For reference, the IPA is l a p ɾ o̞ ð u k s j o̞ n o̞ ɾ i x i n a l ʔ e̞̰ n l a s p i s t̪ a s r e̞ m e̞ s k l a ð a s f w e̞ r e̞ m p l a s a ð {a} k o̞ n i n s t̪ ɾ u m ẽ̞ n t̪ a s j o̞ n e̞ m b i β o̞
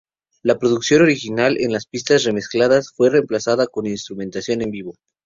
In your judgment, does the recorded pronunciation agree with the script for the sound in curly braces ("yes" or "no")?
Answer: yes